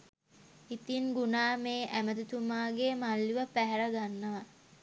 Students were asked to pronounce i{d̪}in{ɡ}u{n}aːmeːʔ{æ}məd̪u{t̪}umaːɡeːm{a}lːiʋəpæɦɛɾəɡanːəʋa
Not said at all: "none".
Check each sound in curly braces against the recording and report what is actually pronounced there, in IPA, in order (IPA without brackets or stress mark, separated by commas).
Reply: t̪, ɡ, n, æ, t̪, a